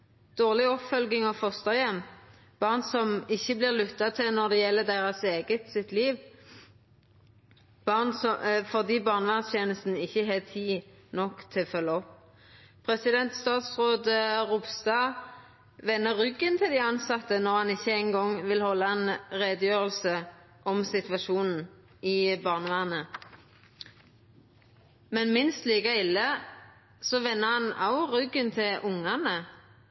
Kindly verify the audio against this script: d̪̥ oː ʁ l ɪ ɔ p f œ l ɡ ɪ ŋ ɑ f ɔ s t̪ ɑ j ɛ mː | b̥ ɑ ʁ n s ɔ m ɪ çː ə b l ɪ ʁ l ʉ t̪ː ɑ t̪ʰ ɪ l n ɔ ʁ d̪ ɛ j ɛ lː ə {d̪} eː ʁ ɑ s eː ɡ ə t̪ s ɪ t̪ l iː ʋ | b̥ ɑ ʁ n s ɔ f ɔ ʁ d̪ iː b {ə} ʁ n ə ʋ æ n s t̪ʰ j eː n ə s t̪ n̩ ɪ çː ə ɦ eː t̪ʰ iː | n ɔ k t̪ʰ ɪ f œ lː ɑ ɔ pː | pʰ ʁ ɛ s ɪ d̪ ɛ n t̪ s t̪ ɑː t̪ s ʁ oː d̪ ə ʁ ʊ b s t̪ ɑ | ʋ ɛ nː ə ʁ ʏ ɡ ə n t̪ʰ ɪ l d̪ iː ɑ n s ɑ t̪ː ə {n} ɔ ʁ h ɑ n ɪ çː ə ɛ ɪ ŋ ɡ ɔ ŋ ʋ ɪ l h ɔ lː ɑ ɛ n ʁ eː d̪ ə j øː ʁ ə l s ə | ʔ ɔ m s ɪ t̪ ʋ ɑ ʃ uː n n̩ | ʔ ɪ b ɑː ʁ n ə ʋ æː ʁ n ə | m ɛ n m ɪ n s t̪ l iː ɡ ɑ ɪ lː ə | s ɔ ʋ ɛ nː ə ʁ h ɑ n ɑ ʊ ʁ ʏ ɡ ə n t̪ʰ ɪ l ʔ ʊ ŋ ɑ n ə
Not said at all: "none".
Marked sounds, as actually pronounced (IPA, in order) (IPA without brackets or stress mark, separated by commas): d̪, ɑ, n